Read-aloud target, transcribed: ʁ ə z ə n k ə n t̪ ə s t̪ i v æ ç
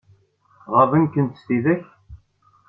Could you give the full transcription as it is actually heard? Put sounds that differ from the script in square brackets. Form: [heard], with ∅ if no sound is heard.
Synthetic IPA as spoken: ʁ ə [v] ə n k ə n t̪ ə s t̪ i [ð] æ ç